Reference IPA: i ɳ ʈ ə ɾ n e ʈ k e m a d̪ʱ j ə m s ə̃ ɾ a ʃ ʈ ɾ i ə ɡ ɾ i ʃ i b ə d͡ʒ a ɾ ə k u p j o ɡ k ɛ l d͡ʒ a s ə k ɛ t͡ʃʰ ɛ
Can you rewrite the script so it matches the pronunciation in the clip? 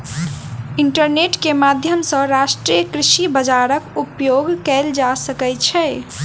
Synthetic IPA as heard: i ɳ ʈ ə ɾ n e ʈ k e m a d̪ʱ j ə m s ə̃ ɾ a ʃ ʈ ɾ i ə k ɾ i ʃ i b ə d͡ʒ a ɾ ə k u p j o ɡ k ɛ l d͡ʒ a s ə k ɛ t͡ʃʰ ɛ